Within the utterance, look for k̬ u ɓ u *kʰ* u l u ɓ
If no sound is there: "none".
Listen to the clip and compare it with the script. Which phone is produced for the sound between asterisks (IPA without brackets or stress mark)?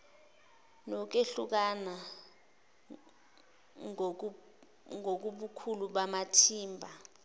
kʰ